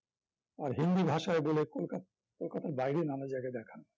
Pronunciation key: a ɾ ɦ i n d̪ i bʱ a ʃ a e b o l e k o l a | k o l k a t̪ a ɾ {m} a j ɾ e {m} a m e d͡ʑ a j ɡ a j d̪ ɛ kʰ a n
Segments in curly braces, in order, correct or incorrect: incorrect, incorrect

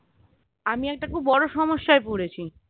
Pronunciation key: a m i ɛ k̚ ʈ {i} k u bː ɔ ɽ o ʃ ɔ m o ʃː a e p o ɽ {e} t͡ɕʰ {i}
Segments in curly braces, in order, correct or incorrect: incorrect, correct, correct

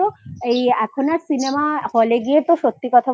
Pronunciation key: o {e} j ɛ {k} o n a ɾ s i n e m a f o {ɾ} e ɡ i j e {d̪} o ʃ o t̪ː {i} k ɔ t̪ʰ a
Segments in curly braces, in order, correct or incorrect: correct, incorrect, incorrect, incorrect, correct

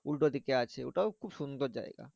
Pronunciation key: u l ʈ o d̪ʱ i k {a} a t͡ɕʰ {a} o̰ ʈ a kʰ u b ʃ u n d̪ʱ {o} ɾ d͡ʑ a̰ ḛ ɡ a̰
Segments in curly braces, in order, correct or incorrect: incorrect, incorrect, correct

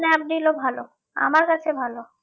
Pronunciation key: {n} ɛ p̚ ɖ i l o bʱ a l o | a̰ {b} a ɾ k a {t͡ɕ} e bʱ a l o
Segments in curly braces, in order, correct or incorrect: correct, incorrect, incorrect

